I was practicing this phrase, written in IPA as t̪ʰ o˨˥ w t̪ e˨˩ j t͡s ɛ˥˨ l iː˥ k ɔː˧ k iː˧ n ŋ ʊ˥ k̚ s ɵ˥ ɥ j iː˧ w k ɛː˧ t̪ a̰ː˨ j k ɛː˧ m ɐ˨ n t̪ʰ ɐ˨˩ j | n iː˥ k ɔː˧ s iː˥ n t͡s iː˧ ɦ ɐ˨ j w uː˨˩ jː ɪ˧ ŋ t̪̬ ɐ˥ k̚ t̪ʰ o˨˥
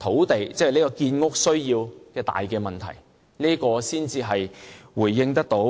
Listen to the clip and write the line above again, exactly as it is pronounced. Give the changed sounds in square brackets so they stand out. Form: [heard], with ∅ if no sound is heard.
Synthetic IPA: t̪ʰ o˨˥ w t̪ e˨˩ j t͡s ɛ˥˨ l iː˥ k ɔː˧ k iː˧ n ŋ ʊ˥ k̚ s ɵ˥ ɥ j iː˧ w k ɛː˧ t̪ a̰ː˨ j k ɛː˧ m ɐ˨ n t̪ʰ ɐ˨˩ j | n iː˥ k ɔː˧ s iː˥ n t͡s iː˧ ɦ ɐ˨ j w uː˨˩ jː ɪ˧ ŋ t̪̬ ɐ˥ k̚ [t̪] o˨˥